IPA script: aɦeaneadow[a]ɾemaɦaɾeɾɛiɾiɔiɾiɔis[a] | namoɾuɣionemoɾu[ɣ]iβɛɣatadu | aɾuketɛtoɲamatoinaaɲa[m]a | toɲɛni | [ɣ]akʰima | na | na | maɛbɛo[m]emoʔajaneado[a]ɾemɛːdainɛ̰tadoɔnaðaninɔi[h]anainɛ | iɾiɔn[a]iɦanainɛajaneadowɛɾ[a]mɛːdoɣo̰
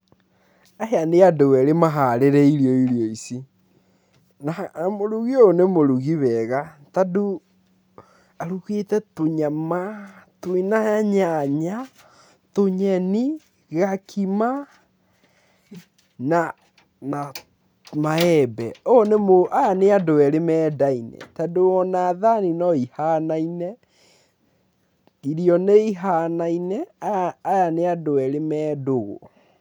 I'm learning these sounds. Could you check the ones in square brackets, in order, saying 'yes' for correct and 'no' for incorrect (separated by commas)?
no, no, yes, no, yes, no, no, yes, no, no